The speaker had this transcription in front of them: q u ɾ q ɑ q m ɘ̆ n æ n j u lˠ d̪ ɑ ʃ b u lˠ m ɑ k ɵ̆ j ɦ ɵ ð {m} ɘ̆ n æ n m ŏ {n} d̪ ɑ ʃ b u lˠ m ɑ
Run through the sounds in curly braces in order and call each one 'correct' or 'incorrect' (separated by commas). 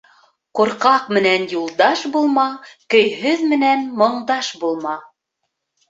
correct, incorrect